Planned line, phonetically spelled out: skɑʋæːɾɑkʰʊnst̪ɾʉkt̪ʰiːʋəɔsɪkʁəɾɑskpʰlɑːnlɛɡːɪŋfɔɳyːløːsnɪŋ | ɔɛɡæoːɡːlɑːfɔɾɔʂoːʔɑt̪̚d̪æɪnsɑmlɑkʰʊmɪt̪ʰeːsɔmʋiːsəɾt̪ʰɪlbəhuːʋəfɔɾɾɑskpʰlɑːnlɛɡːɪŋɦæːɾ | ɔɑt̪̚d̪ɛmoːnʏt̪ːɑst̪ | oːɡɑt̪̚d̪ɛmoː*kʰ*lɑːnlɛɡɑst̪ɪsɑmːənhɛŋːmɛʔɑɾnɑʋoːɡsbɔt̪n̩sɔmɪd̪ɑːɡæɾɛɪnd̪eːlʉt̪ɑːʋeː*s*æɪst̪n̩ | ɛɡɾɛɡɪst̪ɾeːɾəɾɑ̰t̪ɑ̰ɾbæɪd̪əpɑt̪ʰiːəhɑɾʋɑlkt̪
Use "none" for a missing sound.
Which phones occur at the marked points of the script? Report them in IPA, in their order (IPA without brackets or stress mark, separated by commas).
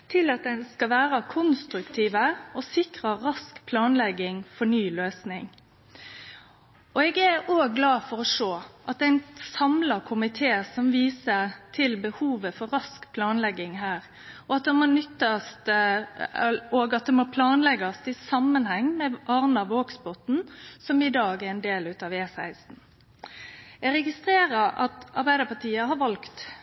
pʰ, s